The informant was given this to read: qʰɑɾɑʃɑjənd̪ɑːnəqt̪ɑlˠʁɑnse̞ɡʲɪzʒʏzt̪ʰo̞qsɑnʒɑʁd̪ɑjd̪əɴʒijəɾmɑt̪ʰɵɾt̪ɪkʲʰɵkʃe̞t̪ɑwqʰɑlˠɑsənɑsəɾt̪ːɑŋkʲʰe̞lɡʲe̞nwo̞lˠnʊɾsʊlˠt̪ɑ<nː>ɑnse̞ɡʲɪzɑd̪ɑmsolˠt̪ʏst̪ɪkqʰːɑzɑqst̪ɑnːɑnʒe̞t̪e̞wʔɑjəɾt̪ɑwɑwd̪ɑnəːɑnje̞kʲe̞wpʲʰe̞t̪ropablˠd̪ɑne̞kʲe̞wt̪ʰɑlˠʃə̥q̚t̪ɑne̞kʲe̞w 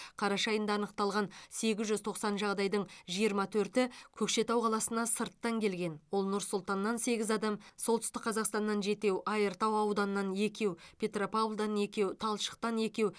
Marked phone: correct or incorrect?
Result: correct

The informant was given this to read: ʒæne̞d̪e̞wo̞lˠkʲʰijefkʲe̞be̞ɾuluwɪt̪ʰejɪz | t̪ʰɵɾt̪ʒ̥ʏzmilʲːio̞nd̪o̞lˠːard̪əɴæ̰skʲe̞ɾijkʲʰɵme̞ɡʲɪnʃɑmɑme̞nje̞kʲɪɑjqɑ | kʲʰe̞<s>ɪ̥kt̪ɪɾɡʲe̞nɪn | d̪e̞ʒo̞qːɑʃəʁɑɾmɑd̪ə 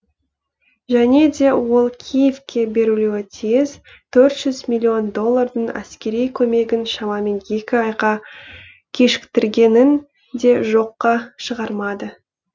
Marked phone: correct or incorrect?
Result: incorrect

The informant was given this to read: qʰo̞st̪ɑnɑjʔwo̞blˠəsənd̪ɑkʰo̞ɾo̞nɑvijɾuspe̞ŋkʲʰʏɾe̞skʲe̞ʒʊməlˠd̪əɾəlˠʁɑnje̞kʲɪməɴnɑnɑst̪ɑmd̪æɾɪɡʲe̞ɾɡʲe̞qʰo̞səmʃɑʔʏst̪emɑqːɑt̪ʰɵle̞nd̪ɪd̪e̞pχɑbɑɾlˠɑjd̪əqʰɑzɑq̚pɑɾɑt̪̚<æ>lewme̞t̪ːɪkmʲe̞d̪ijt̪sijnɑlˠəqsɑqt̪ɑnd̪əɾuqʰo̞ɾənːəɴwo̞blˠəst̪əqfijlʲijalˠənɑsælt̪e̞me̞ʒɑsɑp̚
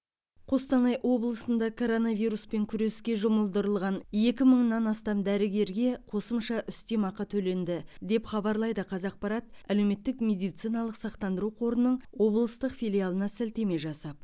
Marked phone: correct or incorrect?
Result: correct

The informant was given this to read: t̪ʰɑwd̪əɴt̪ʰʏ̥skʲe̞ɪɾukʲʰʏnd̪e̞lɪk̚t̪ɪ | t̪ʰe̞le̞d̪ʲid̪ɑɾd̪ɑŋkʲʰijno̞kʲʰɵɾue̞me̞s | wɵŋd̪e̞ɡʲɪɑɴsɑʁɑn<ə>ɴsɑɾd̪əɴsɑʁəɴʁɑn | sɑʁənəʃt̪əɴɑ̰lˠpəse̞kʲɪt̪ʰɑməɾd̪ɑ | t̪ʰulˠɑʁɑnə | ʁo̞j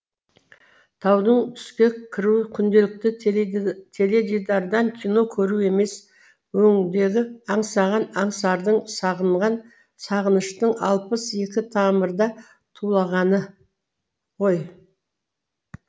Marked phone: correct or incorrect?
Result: incorrect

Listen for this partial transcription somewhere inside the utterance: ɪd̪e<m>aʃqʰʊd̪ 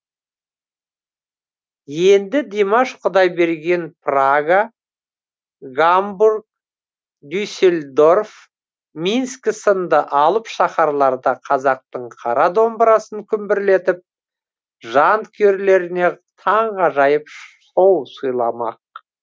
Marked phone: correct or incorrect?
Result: correct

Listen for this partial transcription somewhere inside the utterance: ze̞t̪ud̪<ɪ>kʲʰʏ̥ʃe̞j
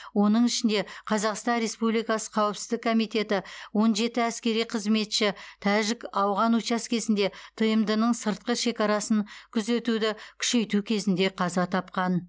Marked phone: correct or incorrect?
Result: correct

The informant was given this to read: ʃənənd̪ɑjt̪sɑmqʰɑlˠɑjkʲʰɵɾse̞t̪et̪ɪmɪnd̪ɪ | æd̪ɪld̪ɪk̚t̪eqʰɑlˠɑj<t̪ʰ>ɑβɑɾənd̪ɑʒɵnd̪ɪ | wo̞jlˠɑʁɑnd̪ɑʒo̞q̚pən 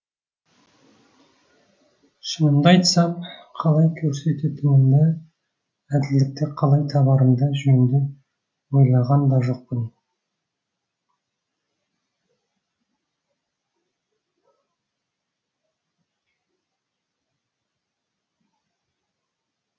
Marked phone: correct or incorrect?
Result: correct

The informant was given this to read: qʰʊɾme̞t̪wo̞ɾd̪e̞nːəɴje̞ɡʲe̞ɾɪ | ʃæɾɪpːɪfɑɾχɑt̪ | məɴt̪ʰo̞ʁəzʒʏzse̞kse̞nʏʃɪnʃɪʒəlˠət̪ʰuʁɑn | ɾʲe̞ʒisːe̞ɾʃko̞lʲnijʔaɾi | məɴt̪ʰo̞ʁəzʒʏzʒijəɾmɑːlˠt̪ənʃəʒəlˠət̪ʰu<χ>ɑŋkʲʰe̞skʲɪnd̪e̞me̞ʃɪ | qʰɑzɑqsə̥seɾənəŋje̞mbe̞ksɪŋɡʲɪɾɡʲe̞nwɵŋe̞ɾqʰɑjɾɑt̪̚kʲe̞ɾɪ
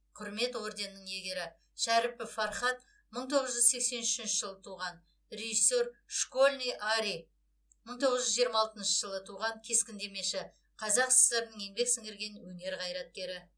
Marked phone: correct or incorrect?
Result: incorrect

